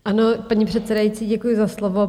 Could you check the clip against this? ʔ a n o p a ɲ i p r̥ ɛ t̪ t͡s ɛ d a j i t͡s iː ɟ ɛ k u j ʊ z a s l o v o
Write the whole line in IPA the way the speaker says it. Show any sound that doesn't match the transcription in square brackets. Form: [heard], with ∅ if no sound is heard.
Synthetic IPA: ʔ a n o p a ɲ i p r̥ ɛ t̪ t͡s ɛ d a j i t͡s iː ɟ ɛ k u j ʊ z a s l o v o